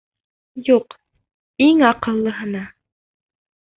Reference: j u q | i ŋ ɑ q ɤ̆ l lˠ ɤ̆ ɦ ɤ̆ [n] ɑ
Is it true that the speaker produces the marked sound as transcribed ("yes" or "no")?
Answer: yes